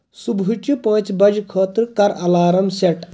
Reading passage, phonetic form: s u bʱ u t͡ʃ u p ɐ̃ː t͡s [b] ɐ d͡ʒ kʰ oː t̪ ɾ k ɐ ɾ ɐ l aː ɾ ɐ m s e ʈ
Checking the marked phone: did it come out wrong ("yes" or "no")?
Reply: no